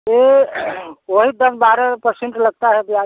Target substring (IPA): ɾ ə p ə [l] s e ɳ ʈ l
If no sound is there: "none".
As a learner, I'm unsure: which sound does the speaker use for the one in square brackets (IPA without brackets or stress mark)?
ɾ